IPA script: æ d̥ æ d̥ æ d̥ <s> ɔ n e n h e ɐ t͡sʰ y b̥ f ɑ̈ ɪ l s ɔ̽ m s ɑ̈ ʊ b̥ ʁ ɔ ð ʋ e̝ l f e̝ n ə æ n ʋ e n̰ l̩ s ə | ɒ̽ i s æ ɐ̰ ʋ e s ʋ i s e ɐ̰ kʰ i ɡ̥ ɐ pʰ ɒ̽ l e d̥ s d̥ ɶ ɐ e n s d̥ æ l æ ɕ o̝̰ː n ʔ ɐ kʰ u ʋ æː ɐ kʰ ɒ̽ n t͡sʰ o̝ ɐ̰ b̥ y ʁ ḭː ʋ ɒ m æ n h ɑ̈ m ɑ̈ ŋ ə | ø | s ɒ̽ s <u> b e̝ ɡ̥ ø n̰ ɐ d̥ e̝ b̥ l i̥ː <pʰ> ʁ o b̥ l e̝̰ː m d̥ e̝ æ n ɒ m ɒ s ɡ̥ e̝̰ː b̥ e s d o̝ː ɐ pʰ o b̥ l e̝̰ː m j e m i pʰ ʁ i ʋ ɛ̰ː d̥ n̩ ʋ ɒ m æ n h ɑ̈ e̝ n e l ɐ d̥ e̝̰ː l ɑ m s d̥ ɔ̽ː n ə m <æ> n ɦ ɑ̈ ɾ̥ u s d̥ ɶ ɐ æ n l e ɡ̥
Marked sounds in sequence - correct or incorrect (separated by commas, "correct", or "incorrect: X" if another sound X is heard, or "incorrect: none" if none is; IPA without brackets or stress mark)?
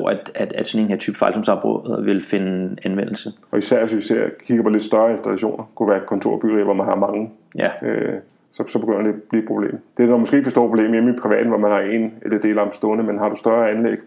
correct, incorrect: ɒ, correct, incorrect: e